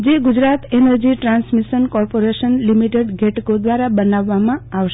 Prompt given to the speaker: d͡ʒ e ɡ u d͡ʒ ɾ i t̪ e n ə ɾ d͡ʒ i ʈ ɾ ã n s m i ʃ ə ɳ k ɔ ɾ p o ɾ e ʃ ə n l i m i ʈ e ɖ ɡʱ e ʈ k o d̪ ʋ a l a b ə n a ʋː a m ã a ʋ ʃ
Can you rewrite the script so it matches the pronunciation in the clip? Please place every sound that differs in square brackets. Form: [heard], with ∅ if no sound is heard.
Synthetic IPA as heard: d͡ʒ e ɡ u d͡ʒ ɾ [a] t̪ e n ə ɾ d͡ʒ i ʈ ɾ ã n s m i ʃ ə [n] k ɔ ɾ p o ɾ e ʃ ə n l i m i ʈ e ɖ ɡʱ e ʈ k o d̪ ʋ a [ɾ] a b ə n a ʋː a m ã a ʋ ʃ